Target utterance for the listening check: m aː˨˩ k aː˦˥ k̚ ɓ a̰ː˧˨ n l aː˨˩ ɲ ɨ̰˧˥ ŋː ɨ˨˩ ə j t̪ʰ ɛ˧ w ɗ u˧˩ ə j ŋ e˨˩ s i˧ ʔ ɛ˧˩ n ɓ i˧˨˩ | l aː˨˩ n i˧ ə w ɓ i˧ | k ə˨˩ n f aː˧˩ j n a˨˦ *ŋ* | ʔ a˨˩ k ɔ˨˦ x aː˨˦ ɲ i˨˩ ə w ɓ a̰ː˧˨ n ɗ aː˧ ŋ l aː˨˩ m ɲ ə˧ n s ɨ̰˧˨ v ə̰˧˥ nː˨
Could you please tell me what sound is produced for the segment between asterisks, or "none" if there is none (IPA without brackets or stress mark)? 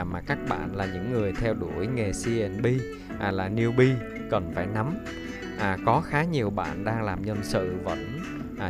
m